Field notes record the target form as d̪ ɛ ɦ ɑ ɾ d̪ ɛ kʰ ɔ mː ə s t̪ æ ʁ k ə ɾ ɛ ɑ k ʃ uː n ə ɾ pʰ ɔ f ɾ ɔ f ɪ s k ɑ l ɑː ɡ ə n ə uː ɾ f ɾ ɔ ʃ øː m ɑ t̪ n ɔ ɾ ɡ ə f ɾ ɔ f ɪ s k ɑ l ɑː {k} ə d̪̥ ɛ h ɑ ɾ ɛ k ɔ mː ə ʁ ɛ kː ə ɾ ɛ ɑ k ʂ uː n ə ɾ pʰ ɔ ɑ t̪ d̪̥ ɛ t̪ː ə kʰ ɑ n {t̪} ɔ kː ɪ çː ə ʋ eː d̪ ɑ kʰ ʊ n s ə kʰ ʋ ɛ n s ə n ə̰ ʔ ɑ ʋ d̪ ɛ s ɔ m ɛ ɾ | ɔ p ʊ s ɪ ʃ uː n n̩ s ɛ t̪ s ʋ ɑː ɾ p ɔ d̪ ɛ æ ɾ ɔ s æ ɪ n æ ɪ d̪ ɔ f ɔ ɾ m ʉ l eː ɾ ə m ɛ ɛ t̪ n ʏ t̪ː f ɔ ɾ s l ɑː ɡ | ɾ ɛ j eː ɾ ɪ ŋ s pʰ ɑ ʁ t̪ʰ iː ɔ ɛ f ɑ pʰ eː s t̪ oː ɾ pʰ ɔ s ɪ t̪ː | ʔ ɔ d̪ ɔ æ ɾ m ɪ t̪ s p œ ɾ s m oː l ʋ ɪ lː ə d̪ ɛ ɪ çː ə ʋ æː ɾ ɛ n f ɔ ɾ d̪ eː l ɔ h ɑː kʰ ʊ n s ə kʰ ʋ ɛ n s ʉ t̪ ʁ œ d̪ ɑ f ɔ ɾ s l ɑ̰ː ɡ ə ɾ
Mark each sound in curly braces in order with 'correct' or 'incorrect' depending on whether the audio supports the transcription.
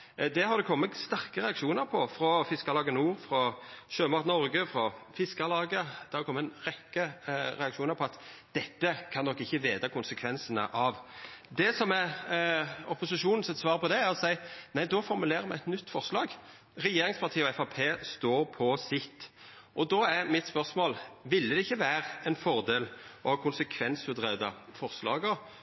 incorrect, incorrect

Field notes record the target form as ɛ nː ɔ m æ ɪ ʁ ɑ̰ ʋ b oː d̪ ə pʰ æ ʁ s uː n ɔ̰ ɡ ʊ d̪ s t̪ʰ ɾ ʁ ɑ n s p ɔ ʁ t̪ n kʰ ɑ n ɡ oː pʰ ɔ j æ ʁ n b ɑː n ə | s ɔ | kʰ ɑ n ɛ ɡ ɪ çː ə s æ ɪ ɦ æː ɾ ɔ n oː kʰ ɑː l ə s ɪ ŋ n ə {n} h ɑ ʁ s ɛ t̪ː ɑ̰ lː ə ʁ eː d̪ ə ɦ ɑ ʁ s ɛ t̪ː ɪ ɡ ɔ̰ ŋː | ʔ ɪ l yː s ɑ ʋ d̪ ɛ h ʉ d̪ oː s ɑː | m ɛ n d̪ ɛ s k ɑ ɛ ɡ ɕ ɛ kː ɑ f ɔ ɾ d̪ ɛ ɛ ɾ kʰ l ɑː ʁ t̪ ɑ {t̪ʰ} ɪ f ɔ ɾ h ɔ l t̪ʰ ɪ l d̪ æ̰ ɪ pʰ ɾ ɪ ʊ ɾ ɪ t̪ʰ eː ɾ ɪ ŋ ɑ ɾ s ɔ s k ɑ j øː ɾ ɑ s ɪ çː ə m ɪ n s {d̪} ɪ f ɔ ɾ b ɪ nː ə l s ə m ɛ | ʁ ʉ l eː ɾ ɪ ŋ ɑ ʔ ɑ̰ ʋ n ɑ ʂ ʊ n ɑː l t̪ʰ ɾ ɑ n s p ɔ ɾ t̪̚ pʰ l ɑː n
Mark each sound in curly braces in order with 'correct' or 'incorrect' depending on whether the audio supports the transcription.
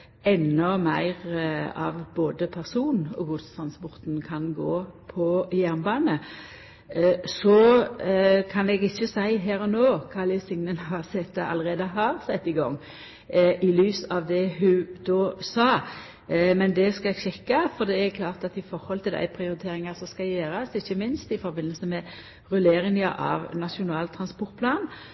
correct, incorrect, incorrect

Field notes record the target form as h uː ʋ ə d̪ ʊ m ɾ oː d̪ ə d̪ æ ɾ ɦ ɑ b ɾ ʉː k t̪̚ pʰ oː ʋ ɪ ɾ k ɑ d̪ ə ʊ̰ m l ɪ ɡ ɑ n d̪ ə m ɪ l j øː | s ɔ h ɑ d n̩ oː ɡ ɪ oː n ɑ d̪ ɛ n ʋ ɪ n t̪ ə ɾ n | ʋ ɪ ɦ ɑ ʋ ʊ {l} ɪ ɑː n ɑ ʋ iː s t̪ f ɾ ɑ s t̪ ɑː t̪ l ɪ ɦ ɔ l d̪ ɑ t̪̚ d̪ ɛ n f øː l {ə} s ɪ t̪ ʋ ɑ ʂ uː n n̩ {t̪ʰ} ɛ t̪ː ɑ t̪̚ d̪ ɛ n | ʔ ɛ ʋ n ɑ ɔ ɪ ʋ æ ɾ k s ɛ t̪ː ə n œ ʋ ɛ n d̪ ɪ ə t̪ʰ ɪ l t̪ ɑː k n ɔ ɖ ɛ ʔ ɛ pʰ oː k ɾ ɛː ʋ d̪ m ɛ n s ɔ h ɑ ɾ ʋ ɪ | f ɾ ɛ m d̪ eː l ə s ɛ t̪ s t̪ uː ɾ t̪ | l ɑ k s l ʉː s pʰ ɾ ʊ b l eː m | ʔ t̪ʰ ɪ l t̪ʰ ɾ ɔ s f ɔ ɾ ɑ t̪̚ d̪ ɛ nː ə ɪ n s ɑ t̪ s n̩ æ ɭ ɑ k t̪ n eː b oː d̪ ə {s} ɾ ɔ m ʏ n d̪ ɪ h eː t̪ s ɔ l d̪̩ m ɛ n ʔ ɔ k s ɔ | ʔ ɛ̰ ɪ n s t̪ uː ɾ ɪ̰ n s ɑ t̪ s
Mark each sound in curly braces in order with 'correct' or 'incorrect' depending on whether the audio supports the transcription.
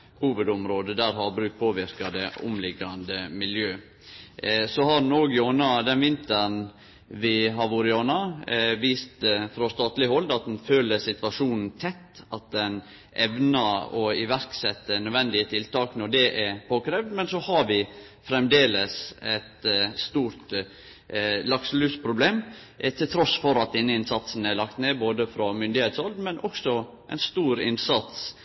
incorrect, correct, correct, incorrect

